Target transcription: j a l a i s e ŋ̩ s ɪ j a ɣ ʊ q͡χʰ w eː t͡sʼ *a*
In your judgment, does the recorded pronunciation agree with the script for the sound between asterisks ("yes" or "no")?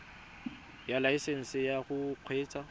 yes